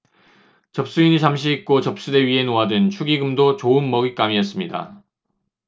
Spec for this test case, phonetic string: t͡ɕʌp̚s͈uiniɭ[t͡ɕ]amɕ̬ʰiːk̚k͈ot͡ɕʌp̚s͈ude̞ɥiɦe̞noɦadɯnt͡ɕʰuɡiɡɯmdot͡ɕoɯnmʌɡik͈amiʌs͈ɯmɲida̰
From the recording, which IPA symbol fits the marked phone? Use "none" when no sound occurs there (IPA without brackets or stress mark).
t͡ɕ